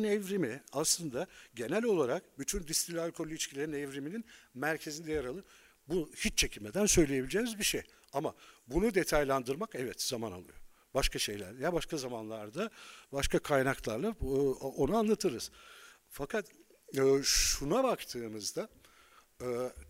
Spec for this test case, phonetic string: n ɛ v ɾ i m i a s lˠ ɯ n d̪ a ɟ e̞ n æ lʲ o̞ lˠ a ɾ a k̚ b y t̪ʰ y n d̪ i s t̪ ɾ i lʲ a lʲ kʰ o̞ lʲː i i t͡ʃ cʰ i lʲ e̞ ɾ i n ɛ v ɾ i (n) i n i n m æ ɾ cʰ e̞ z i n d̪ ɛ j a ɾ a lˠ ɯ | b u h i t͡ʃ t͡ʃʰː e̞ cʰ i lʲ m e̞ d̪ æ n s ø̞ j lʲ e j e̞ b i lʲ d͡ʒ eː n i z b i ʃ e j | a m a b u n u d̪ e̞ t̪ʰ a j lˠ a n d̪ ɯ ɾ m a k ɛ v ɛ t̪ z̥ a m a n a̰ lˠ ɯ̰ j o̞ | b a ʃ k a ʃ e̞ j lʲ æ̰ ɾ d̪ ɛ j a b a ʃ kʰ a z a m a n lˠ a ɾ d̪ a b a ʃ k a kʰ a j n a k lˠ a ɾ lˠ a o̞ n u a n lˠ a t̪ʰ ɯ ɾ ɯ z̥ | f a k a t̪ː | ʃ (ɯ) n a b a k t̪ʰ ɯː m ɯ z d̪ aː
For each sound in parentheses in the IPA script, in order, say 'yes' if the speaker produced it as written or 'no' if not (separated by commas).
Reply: no, no